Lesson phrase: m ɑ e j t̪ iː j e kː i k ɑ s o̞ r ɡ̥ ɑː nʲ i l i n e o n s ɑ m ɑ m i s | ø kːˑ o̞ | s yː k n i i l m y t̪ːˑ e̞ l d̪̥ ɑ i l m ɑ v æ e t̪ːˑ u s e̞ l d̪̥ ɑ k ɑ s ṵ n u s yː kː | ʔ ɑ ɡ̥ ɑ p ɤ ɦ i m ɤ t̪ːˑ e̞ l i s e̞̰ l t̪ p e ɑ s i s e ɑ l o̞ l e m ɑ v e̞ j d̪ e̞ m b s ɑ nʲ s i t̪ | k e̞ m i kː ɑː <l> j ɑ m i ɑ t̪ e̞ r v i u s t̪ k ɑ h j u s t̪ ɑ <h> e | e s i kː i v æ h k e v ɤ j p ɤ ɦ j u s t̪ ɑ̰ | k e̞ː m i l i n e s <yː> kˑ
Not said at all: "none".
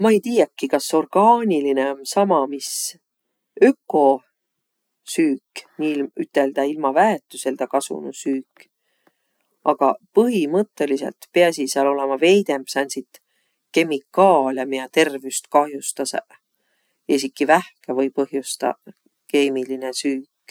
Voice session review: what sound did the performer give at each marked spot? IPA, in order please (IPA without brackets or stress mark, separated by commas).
l, s, yː